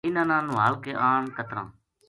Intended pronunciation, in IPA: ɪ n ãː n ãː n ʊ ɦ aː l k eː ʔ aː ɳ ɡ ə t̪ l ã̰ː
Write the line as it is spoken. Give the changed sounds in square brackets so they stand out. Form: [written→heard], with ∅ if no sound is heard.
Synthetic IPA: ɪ n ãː n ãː n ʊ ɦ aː l k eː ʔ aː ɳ [ɡ→k] ə t̪ [l→ɾ] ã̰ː